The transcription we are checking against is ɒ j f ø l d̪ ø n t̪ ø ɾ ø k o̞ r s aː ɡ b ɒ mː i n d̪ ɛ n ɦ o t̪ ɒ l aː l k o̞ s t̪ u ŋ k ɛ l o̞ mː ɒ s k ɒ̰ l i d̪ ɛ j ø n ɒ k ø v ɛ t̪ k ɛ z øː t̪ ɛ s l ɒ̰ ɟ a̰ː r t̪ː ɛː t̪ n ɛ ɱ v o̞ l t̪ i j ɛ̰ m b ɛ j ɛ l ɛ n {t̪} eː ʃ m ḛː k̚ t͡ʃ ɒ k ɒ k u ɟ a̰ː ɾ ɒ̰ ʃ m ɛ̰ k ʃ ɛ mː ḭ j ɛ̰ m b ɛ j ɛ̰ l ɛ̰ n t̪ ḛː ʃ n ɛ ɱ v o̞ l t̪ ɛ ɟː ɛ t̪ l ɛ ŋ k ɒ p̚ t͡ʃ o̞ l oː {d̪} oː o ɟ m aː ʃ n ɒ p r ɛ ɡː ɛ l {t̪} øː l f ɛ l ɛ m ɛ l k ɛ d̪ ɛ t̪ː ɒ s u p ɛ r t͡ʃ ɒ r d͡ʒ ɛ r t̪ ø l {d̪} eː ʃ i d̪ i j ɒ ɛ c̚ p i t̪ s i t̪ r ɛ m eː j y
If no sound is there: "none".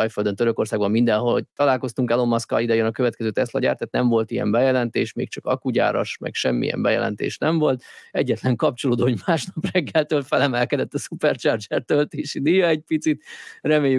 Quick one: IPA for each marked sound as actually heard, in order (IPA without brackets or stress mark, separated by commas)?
t̪, d̪, t̪, t̪